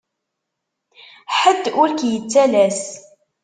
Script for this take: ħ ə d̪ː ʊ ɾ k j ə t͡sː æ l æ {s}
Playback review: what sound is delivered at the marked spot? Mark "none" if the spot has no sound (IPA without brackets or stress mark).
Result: s